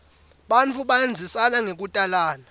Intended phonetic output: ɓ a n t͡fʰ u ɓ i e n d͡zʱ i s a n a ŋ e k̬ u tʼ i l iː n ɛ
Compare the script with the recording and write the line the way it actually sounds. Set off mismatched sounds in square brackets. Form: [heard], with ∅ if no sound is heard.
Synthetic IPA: ɓ a n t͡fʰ u ɓ [a] e n d͡zʱ i s a n a ŋ e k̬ u tʼ [a] l [aː] n [a]